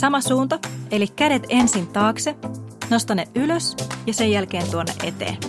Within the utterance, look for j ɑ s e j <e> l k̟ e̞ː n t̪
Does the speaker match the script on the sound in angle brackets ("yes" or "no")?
no